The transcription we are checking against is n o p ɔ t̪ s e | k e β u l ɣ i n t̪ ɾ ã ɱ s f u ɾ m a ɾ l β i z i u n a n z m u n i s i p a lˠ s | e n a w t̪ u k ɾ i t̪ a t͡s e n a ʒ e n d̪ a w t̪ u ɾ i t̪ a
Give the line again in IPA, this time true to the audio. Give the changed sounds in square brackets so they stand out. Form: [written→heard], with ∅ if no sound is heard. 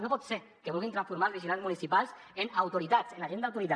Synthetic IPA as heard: n o p ɔ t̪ s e | k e β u l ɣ i n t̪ ɾ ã ɱ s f u ɾ m a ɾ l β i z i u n a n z m u n i s i p a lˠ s | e n a w t̪ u [k→∅] ɾ i t̪ a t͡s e n a ʒ e n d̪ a w t̪ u ɾ i t̪ a